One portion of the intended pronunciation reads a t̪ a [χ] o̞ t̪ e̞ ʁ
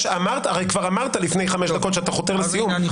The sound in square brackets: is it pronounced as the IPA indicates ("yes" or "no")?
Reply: yes